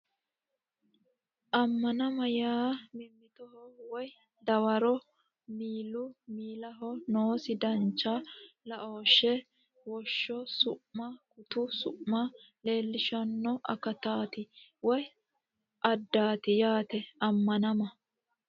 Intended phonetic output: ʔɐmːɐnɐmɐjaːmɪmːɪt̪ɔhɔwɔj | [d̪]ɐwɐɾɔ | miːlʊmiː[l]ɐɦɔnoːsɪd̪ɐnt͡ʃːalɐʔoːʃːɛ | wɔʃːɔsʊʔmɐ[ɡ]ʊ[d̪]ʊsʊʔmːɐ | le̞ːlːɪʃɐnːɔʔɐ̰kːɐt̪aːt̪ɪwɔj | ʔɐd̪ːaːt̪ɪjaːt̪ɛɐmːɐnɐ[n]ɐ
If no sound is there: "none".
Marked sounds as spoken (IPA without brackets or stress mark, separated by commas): d̪, l, k, t̪, m